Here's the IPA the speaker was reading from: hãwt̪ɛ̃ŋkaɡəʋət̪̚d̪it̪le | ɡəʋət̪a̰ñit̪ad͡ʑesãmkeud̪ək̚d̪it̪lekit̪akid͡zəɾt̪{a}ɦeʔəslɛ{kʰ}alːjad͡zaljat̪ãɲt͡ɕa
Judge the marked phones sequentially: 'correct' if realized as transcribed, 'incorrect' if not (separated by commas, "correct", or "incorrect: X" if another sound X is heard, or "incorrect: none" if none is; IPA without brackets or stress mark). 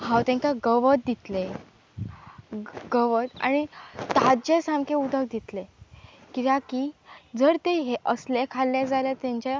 incorrect: e, correct